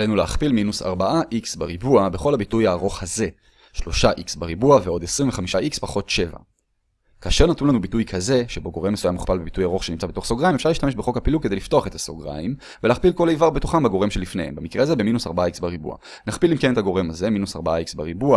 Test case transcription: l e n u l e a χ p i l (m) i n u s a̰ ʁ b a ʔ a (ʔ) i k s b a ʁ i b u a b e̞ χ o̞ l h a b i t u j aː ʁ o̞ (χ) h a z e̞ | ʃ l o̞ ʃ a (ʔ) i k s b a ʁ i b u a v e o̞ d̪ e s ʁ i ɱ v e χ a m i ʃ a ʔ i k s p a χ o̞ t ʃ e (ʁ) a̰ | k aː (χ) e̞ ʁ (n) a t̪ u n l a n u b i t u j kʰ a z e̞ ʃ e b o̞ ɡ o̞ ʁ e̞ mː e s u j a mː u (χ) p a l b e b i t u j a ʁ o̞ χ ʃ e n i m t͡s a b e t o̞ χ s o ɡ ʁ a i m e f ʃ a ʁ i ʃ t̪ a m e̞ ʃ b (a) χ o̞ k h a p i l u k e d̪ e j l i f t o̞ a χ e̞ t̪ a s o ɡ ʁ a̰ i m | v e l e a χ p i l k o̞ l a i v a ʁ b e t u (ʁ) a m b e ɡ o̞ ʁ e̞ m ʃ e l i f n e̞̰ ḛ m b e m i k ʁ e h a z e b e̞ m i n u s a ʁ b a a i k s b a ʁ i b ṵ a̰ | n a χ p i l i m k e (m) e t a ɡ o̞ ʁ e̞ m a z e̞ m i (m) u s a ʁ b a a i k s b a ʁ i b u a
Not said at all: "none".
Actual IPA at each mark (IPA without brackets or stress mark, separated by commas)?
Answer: m, ʔ, χ, ʔ, v, ʃ, n, χ, e, χ, n, n